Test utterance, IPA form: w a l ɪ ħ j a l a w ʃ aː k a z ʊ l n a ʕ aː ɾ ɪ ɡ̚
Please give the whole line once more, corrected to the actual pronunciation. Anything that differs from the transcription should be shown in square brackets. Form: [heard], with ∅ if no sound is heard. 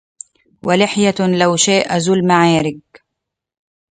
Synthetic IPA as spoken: w a l ɪ ħ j a l a w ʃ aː [ʔ] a z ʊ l [m] a ʕ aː ɾ ɪ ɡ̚